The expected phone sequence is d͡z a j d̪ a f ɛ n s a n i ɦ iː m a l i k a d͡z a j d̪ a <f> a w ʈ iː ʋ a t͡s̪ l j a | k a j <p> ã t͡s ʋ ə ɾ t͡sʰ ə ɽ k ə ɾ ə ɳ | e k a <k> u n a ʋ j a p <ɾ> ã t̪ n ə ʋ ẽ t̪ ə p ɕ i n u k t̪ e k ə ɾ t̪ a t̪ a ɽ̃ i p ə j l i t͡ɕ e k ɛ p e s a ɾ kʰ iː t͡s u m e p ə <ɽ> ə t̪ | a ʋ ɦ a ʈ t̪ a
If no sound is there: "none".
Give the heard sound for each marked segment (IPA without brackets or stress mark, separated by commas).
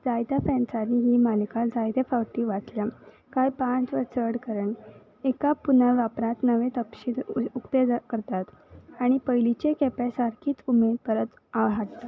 f, p, p, ɾ, ɾ